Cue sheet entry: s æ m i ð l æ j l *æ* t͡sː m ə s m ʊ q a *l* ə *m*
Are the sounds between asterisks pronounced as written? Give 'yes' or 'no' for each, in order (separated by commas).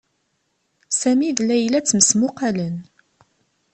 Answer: yes, yes, no